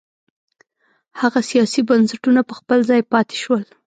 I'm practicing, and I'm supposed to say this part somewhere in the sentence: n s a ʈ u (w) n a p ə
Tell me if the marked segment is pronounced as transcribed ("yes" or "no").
no